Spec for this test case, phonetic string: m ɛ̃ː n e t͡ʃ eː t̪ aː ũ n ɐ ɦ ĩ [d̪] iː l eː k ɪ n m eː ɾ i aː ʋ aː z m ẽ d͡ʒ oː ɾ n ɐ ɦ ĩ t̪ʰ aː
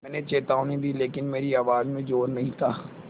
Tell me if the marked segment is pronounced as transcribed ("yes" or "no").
yes